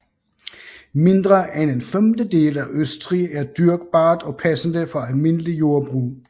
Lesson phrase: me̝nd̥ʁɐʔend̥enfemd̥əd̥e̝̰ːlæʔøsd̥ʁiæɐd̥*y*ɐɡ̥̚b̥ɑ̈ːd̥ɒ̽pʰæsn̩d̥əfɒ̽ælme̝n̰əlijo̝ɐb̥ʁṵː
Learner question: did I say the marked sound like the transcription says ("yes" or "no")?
yes